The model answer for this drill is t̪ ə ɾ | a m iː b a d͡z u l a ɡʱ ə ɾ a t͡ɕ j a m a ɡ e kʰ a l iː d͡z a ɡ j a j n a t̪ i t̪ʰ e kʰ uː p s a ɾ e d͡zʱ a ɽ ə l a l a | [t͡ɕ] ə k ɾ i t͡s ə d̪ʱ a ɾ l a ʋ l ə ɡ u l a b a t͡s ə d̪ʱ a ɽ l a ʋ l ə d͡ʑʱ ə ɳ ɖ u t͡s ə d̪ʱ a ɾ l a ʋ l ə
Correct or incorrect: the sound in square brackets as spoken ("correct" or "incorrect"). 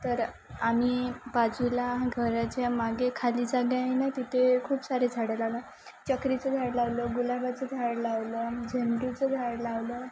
correct